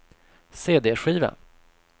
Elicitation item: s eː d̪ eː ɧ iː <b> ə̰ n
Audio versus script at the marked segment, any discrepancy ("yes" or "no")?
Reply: yes